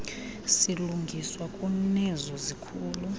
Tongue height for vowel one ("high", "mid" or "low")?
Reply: high